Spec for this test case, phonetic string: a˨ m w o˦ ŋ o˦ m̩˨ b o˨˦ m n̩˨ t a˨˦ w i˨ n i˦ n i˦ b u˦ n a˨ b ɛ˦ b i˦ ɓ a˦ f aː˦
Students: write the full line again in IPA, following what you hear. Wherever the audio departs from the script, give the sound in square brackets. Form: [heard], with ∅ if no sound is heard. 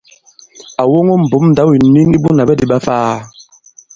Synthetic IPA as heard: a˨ [∅] w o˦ ŋ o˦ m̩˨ b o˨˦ m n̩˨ [d] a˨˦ w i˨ n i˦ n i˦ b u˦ n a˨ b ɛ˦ [d] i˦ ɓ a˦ f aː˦